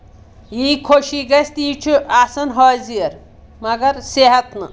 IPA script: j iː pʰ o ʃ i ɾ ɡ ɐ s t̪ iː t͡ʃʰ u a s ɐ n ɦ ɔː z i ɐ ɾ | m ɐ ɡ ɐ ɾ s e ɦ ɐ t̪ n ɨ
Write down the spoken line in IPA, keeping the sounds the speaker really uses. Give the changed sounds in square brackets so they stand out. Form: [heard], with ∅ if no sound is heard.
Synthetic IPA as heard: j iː [kʰ] o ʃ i [∅] ɡ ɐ s t̪ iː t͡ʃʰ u a s ɐ n ɦ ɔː z i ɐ ɾ | m ɐ ɡ ɐ ɾ s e ɦ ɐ t̪ n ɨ

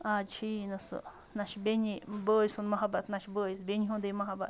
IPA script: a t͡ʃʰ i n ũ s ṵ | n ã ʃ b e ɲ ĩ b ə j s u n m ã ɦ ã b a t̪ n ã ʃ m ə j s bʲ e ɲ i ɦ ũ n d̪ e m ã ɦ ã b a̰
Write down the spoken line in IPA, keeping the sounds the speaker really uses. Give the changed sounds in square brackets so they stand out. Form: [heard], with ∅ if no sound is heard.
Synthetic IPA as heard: a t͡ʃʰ i n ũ s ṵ | n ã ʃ b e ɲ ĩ b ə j s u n m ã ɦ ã b a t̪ n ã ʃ [b] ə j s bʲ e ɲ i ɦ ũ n d̪ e m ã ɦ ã b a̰

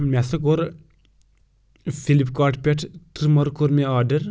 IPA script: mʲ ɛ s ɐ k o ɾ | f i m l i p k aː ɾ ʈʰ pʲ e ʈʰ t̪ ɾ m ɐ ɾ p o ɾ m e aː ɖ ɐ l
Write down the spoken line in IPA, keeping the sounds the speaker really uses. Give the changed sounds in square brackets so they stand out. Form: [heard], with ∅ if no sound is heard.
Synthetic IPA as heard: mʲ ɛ s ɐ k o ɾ | f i [∅] l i p k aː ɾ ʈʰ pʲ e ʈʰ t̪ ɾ m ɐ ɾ [k] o ɾ m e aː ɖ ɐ [ɾ]

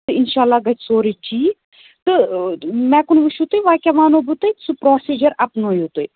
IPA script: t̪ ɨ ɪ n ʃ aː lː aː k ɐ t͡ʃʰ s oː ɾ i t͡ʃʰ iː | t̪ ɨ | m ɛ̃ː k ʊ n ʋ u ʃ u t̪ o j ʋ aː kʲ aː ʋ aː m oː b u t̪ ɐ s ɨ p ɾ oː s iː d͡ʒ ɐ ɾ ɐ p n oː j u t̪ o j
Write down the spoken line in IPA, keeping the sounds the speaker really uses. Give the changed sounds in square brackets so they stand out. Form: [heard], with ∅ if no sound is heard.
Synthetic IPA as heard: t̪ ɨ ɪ n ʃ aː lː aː [ɡ] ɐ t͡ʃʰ s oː ɾ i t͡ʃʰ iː | t̪ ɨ | m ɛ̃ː k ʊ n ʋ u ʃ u t̪ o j ʋ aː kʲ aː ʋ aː [n] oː b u t̪ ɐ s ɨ p ɾ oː s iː d͡ʒ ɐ ɾ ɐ p n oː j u t̪ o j

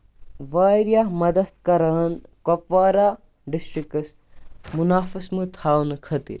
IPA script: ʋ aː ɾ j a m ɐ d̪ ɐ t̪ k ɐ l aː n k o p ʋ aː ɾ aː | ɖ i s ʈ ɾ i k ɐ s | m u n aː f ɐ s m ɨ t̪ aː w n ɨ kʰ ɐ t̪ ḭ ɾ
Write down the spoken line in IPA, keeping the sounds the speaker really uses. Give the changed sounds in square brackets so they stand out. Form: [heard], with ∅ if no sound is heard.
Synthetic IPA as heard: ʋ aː ɾ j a m ɐ d̪ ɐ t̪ k ɐ [ɾ] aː n k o p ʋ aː ɾ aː | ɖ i s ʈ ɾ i k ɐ s | m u n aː f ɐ s m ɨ [t̪ʰ] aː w n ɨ kʰ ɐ t̪ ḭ ɾ

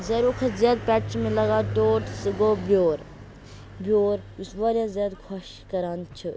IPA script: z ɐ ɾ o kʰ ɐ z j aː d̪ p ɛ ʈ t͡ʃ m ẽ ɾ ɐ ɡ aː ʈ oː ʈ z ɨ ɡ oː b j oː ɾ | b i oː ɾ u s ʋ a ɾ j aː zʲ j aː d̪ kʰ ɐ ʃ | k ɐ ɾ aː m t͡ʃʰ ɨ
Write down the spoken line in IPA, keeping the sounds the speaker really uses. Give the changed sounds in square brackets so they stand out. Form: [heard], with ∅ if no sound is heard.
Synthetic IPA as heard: z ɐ ɾ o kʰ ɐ z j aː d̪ p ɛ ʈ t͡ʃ m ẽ [l] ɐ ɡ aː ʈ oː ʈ [s] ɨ ɡ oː b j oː ɾ | b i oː ɾ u s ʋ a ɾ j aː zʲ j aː d̪ kʰ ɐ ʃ | k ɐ ɾ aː [n] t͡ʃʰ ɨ

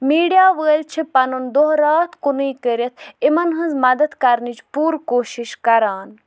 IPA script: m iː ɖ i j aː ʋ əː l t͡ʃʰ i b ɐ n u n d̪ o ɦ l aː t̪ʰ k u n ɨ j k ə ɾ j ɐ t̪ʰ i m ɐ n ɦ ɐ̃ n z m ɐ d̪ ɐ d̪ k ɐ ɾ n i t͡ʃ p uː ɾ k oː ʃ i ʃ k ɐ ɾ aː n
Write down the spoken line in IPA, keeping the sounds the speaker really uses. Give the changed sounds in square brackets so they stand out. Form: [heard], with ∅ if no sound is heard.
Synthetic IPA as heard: m iː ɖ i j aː ʋ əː l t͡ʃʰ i [p] ɐ n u n d̪ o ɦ [ɾ] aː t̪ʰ k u n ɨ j k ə ɾ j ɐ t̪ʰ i m ɐ n ɦ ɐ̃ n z m ɐ d̪ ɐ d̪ k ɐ ɾ n i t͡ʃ p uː ɾ k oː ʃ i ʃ k ɐ ɾ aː n

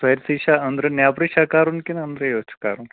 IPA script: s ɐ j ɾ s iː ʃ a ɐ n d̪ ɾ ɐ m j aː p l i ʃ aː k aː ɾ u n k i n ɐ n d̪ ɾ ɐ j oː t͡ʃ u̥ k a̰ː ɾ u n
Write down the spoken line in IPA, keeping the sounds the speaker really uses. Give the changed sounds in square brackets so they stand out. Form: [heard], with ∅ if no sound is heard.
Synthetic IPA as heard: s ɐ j ɾ s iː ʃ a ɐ n d̪ ɾ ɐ [n] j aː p [ɾ] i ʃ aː k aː ɾ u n k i n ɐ n d̪ ɾ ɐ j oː t͡ʃ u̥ k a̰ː ɾ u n

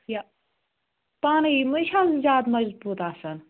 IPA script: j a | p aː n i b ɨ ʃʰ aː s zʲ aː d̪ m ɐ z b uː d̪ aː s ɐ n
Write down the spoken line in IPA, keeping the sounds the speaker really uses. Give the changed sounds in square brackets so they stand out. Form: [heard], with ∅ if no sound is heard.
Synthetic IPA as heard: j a | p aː n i [m] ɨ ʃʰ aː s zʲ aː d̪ m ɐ z b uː [t̪] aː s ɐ n

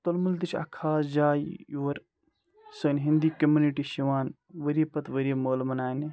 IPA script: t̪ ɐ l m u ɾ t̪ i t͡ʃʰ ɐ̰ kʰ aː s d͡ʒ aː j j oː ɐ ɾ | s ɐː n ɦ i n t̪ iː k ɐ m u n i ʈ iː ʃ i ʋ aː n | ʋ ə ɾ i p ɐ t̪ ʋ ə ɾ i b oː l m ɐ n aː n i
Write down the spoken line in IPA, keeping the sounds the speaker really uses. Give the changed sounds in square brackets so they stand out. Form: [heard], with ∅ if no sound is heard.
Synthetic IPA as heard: t̪ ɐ l m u [l] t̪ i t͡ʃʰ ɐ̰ kʰ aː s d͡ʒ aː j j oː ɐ ɾ | s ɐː n ɦ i n [d̪] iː k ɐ m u n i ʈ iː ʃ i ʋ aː n | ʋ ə ɾ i p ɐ t̪ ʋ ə ɾ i [m] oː l m ɐ n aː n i

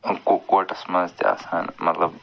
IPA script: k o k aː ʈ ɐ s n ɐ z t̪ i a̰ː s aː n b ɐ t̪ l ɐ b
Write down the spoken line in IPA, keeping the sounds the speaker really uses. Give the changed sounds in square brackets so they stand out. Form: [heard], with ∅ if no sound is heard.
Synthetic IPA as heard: k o k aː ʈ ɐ s [m] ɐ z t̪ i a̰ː s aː n [m] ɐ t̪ l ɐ b

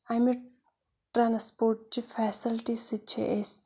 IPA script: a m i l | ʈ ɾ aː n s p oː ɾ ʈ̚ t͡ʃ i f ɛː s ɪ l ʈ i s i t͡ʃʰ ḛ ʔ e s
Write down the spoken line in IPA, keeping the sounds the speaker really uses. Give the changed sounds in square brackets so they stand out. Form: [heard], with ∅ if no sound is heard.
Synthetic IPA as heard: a m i [∅] | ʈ ɾ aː n s p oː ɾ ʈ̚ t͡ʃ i f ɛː s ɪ l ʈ i s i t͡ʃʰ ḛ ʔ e s

